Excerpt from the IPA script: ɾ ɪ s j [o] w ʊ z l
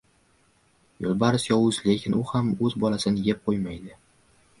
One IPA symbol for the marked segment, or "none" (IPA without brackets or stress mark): ɒ